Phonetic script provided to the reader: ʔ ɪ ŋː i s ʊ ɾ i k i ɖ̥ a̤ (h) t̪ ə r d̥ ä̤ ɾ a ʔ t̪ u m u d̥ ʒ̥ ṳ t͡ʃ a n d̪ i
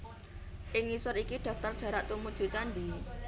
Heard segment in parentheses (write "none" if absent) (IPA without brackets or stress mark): f